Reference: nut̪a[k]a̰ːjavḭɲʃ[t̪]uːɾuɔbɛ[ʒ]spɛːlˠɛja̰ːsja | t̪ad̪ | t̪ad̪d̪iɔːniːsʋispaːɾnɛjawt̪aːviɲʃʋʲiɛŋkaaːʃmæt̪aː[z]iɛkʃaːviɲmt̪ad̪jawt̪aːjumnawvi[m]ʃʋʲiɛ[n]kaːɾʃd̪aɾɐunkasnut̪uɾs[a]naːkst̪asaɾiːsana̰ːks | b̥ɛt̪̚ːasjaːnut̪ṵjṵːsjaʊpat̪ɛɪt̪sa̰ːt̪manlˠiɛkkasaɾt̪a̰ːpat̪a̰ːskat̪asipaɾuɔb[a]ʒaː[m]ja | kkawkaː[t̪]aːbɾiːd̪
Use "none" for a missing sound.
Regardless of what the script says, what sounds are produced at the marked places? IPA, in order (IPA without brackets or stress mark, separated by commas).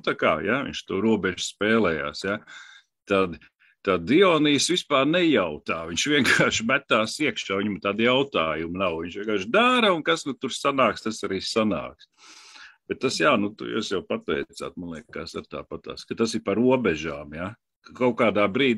k, t̪, ʒ, s, ɲ, ŋ, a, ɛ, m, d̪